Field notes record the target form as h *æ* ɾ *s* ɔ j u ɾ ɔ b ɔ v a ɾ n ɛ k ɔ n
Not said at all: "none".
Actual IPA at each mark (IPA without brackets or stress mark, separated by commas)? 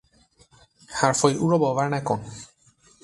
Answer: a, f